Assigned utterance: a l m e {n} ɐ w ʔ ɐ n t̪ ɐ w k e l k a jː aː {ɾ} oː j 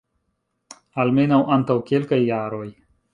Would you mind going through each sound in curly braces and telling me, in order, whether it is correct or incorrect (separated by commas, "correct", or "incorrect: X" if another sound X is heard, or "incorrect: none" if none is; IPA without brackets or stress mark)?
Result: correct, correct